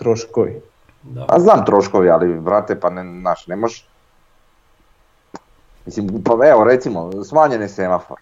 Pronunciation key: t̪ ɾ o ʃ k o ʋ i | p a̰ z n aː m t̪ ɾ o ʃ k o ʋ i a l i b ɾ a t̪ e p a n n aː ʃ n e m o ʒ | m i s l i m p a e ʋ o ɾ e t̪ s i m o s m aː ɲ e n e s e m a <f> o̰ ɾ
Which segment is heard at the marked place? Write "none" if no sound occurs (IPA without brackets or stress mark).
f